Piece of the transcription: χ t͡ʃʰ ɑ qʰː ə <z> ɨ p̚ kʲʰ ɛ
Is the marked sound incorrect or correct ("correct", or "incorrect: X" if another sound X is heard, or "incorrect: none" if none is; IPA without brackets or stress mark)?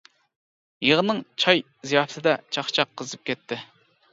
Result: correct